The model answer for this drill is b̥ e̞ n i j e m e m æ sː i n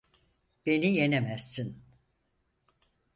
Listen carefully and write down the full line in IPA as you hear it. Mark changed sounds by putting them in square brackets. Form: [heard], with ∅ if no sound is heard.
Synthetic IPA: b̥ e̞ n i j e [n] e m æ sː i n